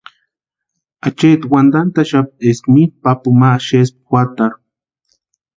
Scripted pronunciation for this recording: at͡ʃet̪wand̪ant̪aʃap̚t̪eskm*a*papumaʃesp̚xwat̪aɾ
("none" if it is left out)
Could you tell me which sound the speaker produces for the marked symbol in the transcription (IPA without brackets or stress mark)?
i